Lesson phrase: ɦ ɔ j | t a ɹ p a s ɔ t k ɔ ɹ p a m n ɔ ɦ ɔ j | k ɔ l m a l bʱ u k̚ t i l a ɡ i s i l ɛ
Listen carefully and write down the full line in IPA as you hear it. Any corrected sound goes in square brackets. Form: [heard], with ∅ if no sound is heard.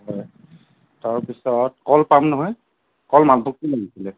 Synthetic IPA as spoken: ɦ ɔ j | t a ɹ p [i] s ɔ t k ɔ [l] p a m n ɔ ɦ ɔ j | k ɔ l m a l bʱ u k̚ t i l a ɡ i s i l ɛ